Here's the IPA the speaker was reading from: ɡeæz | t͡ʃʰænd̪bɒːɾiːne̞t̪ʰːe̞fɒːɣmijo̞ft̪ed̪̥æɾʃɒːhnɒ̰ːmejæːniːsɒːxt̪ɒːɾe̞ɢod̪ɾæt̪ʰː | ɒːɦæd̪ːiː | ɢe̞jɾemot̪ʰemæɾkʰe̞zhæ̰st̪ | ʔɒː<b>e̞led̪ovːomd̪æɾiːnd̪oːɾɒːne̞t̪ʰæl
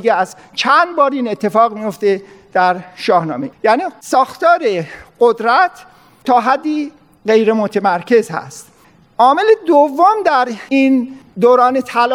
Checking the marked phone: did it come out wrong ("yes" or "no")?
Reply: yes